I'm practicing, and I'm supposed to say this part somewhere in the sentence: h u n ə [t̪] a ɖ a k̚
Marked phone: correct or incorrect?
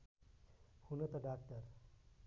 correct